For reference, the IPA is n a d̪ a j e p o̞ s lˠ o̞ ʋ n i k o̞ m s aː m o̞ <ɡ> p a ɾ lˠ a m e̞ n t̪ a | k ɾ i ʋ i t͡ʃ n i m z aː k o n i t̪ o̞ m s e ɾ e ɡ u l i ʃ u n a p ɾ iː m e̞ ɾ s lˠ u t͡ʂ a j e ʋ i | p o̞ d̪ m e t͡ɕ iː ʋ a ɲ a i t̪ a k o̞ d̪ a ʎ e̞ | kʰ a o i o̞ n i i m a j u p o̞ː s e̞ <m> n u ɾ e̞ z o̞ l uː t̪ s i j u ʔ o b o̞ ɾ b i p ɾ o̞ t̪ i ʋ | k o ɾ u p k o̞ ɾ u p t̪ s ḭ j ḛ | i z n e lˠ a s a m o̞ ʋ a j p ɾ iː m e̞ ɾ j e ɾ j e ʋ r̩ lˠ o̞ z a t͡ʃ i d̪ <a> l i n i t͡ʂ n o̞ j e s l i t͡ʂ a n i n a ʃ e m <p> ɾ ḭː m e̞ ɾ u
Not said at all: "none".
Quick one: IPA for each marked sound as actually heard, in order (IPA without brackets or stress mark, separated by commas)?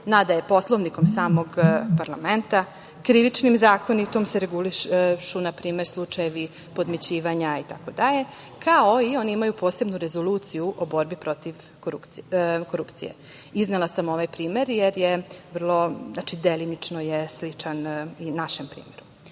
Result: ɡ, b, e, p